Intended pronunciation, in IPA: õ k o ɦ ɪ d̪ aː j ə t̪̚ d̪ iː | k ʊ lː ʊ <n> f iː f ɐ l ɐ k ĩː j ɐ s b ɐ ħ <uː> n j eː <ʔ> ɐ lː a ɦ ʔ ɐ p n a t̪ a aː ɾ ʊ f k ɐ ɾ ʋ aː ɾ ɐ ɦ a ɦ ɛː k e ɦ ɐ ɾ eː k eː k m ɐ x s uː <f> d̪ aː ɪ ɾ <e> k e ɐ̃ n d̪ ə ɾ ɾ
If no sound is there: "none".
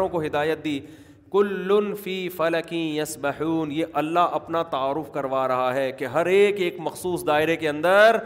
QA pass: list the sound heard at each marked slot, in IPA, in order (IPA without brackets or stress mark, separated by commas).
n, uː, ʔ, s, e